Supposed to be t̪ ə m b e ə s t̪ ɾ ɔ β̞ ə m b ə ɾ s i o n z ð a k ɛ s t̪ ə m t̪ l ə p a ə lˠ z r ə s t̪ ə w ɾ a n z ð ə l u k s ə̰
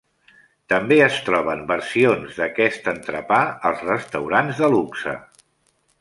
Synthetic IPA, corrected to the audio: t̪ ə m b e ə s t̪ ɾ ɔ β̞ ə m b ə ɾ s i o n z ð ə k ɛ s t̪ ə n t̪ ɾ ə p a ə lˠ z r ə s t̪ ə w ɾ a n z ð ə l u k s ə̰